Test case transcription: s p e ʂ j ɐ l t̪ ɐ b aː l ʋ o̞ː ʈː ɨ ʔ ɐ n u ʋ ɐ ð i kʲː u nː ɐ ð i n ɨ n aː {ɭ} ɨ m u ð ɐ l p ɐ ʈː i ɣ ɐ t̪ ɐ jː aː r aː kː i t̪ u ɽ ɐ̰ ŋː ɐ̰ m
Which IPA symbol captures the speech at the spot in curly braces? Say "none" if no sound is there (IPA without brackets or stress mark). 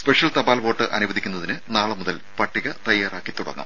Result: ɭ